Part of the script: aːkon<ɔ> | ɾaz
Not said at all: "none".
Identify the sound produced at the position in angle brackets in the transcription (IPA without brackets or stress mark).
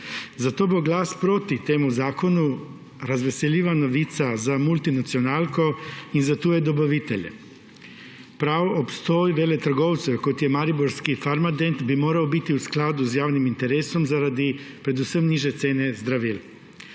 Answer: u